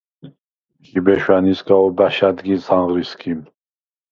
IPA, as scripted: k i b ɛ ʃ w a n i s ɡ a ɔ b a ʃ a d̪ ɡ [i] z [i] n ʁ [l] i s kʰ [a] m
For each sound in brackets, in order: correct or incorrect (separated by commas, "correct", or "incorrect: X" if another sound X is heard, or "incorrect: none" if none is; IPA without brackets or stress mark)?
correct, incorrect: a, incorrect: ɾ, incorrect: i